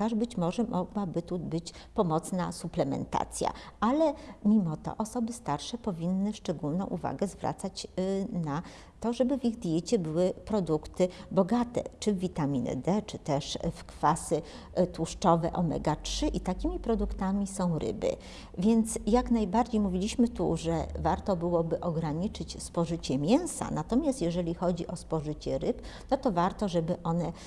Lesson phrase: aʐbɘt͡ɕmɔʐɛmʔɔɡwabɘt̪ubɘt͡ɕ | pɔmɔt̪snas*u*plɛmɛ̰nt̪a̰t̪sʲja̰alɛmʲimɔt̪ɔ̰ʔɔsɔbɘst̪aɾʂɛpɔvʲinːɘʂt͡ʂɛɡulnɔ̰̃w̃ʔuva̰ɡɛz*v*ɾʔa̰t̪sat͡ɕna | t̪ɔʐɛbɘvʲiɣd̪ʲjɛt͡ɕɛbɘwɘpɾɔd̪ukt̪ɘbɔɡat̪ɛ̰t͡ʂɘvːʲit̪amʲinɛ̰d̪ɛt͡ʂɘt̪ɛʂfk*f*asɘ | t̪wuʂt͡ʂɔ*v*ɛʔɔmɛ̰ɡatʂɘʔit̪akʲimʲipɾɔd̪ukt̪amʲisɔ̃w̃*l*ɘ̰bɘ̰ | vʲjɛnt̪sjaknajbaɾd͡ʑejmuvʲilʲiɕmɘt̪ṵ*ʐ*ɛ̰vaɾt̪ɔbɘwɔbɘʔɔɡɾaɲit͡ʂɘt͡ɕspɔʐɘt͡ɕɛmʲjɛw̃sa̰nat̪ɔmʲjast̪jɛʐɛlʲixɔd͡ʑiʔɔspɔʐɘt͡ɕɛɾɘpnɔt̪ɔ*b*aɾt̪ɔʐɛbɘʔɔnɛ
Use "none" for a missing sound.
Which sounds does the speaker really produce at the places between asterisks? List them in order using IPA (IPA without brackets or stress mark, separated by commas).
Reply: u, v, f, v, ɾ, ʐ, v